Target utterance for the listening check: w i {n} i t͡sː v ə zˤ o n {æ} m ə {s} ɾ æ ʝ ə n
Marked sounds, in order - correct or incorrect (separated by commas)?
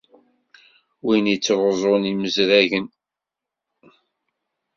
correct, incorrect, incorrect